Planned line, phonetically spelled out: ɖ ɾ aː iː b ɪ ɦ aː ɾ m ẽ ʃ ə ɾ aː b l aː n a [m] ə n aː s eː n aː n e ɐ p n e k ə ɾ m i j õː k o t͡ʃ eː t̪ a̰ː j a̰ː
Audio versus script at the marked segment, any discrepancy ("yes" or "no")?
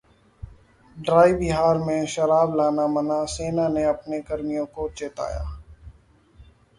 no